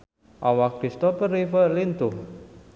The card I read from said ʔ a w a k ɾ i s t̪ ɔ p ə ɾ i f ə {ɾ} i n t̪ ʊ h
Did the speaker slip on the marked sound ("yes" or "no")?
yes